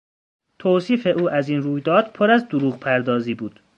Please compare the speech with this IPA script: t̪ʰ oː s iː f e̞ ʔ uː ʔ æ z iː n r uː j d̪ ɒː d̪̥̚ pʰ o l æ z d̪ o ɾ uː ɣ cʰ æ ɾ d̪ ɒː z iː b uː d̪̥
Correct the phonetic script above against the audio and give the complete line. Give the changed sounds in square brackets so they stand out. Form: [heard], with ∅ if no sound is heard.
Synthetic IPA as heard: t̪ʰ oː s iː f e̞ ʔ uː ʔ æ z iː n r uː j d̪ ɒː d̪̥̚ pʰ o [ɾ] æ z d̪ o ɾ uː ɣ [pʰ] æ ɾ d̪ ɒː z iː b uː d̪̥